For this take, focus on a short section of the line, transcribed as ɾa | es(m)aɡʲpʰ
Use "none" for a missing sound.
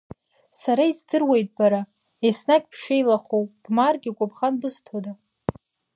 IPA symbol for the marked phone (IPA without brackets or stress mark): n